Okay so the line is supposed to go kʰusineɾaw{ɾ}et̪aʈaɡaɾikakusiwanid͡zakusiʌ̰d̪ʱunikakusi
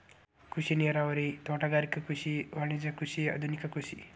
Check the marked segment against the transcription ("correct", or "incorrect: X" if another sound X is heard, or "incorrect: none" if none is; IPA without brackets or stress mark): correct